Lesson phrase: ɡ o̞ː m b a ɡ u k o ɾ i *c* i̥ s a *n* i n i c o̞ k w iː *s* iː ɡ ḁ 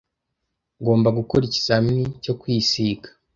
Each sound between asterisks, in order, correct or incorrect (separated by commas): correct, incorrect, correct